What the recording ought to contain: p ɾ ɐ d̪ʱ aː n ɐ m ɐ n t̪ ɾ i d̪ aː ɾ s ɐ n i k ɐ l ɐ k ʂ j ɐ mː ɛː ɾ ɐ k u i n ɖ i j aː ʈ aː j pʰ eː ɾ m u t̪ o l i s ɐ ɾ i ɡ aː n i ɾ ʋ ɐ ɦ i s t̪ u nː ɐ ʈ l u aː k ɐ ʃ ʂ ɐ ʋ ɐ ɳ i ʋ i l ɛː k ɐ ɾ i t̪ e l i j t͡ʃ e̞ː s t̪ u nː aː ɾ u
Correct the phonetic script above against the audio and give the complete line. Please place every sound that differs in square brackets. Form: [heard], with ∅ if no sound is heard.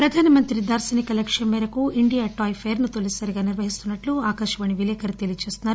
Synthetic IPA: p ɾ ɐ d̪ʱ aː n ɐ m ɐ n t̪ ɾ i d̪ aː ɾ s ɐ n i k ɐ l ɐ k ʂ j ɐ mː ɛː ɾ ɐ k u i [ɳ] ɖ i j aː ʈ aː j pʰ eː ɾ [n] u t̪ o l i s ɐ ɾ i ɡ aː n i ɾ ʋ ɐ ɦ i s t̪ u nː ɐ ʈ l u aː k ɐ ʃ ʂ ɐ ʋ ɐ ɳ i ʋ i l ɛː k ɐ ɾ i t̪ e l i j t͡ʃ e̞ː s t̪ u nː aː ɾ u